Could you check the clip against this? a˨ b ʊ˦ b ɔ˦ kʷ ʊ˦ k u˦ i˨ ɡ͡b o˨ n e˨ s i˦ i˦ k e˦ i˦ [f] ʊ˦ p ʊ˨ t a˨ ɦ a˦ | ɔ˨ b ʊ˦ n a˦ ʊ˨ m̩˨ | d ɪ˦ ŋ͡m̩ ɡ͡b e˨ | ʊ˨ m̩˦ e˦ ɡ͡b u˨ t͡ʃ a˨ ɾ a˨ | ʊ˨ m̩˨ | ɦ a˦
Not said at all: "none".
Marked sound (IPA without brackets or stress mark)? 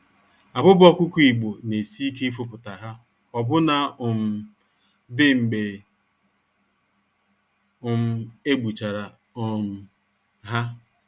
f